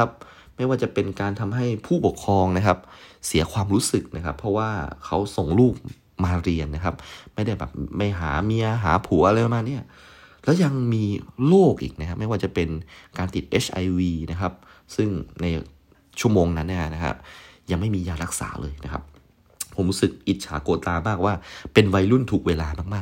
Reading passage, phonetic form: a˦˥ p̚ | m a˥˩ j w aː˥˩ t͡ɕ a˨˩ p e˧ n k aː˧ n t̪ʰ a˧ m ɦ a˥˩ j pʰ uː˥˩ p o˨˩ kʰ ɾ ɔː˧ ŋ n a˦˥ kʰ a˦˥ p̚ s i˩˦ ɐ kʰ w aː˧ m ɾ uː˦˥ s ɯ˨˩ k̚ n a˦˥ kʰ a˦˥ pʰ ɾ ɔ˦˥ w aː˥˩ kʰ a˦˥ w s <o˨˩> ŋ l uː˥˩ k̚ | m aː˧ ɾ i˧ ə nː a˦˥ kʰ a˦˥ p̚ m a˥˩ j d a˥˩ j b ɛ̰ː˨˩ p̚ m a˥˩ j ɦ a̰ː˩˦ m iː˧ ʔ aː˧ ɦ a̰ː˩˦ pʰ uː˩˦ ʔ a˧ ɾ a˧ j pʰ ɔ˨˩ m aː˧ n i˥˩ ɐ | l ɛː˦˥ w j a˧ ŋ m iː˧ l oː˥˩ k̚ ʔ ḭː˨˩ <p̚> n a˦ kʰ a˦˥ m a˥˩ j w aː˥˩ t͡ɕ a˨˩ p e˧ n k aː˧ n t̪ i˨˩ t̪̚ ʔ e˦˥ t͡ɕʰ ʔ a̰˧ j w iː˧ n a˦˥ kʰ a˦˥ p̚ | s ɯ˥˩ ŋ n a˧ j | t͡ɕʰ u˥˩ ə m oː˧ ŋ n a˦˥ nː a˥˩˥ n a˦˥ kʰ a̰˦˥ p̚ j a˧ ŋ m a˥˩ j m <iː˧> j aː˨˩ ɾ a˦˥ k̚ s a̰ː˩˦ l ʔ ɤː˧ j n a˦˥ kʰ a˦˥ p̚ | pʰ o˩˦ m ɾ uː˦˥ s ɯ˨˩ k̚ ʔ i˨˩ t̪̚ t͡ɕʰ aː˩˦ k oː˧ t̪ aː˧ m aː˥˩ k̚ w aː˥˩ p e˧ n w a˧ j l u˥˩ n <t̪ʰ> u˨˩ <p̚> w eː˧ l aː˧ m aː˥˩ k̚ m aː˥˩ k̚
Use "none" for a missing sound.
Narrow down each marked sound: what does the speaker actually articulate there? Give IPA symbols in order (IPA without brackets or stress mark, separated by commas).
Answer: o˨˩, k̚, iː˧, t̪ʰ, k̚